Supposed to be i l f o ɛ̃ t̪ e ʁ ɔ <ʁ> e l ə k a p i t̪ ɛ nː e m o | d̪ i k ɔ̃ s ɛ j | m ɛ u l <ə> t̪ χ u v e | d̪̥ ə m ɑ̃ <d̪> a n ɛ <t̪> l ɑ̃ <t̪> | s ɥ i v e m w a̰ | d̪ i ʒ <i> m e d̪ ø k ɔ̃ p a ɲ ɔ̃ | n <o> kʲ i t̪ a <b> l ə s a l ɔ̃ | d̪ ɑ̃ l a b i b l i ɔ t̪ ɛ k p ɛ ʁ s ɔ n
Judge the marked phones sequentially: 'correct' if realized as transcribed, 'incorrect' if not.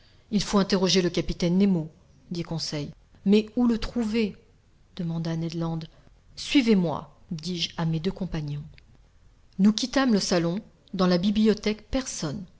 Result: incorrect, correct, correct, incorrect, incorrect, incorrect, incorrect, incorrect

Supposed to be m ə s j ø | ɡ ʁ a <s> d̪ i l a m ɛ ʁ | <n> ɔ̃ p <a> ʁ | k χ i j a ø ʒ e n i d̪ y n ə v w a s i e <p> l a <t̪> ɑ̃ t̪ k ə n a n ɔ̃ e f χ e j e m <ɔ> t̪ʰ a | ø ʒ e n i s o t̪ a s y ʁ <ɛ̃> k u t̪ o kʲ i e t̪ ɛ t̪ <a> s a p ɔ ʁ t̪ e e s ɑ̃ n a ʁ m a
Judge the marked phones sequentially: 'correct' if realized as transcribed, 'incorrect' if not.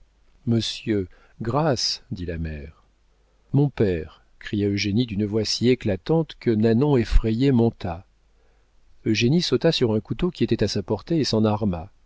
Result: correct, incorrect, incorrect, incorrect, correct, incorrect, correct, correct

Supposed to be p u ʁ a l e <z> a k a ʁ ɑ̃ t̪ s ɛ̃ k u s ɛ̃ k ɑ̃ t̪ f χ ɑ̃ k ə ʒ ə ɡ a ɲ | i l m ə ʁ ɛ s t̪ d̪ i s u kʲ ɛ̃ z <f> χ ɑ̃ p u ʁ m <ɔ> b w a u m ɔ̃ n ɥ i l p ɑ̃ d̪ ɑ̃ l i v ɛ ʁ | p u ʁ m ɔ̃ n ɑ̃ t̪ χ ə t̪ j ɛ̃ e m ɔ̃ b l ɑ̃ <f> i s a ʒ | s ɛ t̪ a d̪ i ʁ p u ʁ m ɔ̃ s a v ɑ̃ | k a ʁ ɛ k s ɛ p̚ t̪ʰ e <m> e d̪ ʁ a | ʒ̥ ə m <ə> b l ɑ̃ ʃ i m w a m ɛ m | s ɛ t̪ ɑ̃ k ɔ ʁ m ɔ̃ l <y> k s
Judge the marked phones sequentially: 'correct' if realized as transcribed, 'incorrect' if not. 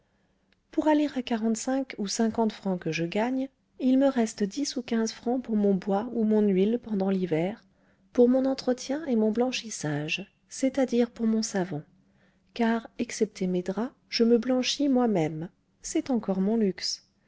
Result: incorrect, correct, incorrect, incorrect, correct, correct, correct

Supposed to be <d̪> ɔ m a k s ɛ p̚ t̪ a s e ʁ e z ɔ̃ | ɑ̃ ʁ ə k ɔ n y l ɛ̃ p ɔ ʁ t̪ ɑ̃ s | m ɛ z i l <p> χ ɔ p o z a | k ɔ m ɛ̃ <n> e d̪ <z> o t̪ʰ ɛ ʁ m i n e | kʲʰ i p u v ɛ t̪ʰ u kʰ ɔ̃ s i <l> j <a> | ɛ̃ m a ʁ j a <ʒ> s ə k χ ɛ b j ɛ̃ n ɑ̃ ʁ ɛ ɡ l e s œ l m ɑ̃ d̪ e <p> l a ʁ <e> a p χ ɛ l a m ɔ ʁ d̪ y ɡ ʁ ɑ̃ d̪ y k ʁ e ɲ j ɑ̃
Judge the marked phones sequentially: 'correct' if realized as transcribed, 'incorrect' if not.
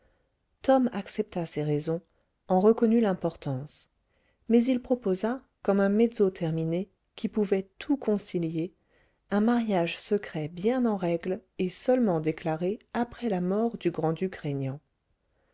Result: incorrect, correct, incorrect, correct, correct, incorrect, correct, incorrect, correct

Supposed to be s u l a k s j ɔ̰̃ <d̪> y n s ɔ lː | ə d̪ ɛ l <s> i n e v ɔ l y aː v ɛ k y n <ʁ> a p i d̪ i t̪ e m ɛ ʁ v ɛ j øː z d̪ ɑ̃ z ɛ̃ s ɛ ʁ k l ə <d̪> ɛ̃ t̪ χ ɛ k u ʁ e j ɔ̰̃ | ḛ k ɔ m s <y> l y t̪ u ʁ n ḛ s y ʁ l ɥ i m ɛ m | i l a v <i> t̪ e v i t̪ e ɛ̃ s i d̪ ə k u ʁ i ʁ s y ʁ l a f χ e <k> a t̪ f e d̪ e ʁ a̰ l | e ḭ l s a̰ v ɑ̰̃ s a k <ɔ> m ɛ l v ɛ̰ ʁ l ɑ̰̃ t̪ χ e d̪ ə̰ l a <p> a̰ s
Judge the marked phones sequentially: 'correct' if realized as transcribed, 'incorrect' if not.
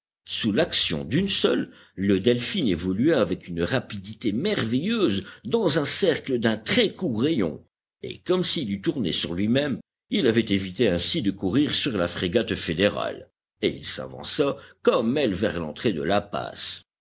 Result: correct, incorrect, correct, correct, incorrect, incorrect, incorrect, correct, correct

